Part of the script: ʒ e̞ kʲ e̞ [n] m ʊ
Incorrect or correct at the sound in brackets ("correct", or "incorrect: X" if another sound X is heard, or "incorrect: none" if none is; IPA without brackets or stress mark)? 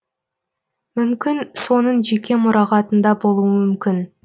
incorrect: none